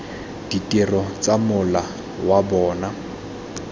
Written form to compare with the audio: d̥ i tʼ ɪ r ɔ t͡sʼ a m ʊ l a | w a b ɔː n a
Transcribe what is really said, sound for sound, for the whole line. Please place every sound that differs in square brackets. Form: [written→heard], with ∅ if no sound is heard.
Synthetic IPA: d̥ i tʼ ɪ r ɔ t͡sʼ a m ʊ l a | w a b ɔː n a

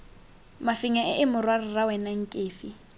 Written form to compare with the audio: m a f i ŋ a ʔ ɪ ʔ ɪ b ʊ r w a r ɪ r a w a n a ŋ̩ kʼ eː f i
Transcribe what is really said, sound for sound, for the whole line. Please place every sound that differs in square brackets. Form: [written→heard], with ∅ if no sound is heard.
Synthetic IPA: m a f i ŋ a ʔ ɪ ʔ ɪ [b→m] ʊ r w a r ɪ r a w [a→ɛ] n a ŋ̩ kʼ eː f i

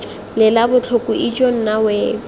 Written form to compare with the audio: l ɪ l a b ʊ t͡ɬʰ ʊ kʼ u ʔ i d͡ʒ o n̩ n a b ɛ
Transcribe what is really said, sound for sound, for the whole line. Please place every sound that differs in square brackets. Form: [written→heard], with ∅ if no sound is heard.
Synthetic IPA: l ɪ l a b ʊ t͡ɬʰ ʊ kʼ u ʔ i d͡ʒ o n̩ n a [b→w] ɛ

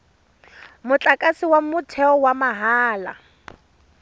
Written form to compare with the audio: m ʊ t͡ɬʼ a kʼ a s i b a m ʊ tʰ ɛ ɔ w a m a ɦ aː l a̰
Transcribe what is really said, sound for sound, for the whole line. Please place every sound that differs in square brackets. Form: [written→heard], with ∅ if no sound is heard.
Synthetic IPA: m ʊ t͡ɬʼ a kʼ a s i [b→w] a m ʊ tʰ ɛ ɔ w a m a ɦ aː l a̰

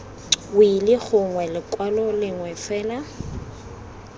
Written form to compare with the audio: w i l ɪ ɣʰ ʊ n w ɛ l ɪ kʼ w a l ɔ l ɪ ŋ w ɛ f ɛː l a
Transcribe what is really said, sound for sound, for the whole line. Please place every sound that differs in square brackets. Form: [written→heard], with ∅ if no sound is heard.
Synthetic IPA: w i l ɪ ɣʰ ʊ [n→ŋ] w ɛ l ɪ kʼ w a l ɔ l ɪ ŋ w ɛ f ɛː l a

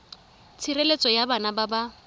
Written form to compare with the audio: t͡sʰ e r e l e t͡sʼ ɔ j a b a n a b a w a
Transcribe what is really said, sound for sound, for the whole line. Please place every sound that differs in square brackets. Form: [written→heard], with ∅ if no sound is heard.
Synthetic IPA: t͡sʰ [e→i] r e l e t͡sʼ ɔ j a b a n a b a [w→b] a

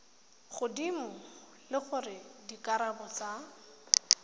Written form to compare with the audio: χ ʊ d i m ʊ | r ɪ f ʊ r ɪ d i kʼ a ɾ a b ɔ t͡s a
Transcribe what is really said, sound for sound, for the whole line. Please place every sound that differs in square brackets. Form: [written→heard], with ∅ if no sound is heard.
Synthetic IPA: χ ʊ d i m ʊ | [r→l] ɪ [f→χ] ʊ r ɪ d i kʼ a ɾ a b ɔ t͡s a

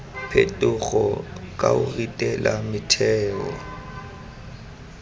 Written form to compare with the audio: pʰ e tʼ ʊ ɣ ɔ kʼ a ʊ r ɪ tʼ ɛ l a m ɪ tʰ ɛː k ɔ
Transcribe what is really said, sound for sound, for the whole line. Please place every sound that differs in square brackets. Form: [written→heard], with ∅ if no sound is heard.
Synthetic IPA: pʰ e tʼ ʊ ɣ ɔ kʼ a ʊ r [ɪ→i] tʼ ɛ l a m ɪ tʰ ɛː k ɔ

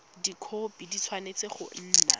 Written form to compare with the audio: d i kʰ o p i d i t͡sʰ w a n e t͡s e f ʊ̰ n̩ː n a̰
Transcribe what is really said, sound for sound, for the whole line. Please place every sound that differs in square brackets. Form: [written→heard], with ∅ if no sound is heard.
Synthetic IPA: d i kʰ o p i d i t͡sʰ w a n e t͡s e [f→χ] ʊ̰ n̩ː n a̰

